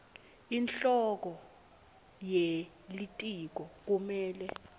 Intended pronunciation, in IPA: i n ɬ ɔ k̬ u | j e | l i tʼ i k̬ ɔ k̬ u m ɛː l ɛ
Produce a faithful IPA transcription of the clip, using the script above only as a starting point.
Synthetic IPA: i n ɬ ɔ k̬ ɔ | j e | l i tʼ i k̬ ɔ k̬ u m ɛː l ɛ

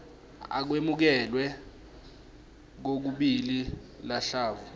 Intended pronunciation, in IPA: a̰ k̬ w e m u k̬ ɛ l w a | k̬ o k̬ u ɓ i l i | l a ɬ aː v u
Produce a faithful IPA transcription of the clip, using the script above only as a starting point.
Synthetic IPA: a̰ k̬ w e m u k̬ ɛ l w ɛ | k̬ o k̬ u ɓ i l i | l a ɬ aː v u

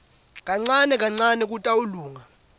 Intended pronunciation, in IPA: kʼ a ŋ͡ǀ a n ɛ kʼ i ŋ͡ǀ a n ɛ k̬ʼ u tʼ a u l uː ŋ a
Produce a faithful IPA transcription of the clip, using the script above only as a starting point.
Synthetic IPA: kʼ a ŋ͡ǀ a n ɛ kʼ a ŋ͡ǀ a n ɛ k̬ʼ u tʼ a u l uː ŋ a

